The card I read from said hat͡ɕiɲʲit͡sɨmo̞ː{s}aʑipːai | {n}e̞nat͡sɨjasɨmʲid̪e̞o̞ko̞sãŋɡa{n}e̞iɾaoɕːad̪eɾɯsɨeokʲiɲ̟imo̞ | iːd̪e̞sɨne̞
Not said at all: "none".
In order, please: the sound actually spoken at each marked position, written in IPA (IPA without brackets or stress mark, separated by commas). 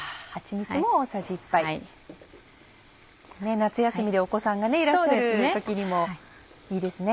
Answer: s, n, n